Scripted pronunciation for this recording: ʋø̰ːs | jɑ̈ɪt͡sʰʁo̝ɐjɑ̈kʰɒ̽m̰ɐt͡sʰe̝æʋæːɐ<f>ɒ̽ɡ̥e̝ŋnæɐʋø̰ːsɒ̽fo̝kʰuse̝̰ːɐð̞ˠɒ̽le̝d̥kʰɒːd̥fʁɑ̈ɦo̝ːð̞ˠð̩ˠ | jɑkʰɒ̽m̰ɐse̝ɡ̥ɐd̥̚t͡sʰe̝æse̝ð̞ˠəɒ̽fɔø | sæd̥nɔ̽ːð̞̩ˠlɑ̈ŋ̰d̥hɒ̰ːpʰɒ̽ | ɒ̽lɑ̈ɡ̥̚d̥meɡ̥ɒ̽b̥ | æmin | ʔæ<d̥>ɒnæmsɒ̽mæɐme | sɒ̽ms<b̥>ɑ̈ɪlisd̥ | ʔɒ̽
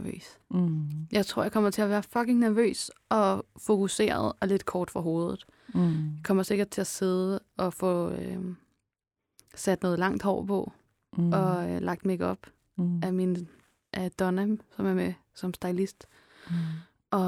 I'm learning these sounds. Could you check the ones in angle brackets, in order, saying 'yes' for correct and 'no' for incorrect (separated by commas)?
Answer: yes, yes, no